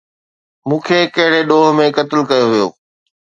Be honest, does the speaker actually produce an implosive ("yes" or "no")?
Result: yes